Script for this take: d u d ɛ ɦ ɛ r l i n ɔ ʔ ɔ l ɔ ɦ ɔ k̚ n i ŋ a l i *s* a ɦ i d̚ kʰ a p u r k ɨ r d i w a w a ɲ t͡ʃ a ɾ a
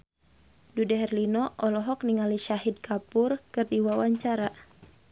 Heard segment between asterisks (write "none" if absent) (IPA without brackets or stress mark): ʃ